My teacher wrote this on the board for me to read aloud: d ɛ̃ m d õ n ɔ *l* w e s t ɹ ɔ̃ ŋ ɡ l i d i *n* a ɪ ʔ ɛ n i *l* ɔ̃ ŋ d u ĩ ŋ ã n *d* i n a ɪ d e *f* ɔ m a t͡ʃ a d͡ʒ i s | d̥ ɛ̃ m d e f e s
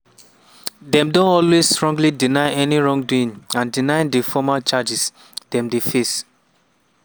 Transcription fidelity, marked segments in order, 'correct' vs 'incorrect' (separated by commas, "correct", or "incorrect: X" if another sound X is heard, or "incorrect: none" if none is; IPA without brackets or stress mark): correct, correct, incorrect: ɹ, correct, correct